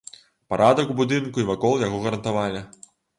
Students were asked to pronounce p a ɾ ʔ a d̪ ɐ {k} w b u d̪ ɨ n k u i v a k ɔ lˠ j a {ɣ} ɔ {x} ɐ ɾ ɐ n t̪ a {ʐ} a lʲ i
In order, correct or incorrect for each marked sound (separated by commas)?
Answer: correct, correct, incorrect, incorrect